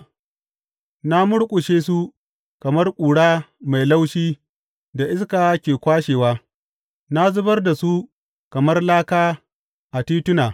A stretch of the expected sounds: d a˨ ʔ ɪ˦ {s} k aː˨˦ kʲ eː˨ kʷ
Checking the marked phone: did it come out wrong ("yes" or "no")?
no